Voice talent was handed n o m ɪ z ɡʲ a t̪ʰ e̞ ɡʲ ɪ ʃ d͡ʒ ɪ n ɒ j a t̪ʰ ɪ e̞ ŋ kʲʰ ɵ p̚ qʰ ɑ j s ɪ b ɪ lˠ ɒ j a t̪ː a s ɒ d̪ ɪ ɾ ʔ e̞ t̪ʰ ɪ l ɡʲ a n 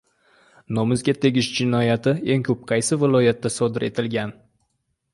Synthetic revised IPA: n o m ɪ z ɡʲ a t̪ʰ e̞ ɡʲ ɪ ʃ d͡ʒ ɪ n ɒ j a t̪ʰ ɪ e̞ ŋ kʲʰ ɵ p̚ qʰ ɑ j s ɪ v ɪ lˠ ɒ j a t̪ː a s ɒ d̪ ɪ ɾ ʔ e̞ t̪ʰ ɪ l ɡʲ a n